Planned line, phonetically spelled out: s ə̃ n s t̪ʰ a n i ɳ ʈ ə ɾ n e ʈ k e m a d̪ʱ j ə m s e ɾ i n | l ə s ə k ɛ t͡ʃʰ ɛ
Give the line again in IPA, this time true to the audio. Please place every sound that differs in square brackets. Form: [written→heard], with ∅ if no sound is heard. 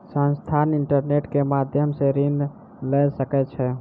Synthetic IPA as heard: s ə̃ n s t̪ʰ a n i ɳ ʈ ə ɾ n e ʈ k e m a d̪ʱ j ə m s e ɾ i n | l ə s ə k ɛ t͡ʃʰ ɛ